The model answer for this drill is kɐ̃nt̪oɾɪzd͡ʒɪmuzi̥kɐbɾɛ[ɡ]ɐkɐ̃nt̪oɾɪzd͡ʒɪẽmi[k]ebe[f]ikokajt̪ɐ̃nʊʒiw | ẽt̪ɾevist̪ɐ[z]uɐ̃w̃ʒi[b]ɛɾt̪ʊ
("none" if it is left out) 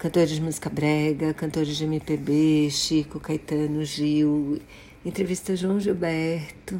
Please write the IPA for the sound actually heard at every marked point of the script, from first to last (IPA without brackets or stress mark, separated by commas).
ɡ, p, ʃ, ʒ, b